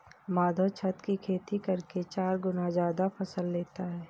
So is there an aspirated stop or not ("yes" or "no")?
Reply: yes